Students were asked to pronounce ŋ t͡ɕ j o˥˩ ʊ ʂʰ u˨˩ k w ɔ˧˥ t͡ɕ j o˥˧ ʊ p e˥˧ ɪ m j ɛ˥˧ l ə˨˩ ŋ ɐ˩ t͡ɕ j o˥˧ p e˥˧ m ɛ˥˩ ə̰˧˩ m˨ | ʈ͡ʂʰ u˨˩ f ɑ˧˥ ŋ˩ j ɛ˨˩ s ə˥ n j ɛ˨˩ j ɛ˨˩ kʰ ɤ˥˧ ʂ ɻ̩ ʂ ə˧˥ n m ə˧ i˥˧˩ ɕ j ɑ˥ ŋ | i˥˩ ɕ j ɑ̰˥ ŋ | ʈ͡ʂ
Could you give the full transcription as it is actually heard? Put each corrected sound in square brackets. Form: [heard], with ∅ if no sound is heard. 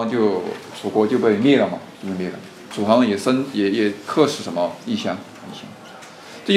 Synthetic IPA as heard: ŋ t͡ɕ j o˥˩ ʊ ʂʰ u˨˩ k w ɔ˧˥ t͡ɕ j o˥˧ ʊ p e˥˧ ɪ m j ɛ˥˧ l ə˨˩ [m] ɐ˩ t͡ɕ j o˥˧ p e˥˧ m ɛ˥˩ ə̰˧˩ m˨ | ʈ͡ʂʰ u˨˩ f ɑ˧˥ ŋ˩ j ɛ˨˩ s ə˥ n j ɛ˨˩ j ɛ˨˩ kʰ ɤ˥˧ ʂ ɻ̩ ʂ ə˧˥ n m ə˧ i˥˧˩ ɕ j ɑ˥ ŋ | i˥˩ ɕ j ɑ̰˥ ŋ | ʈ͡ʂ